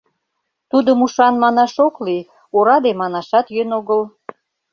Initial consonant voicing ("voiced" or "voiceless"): voiceless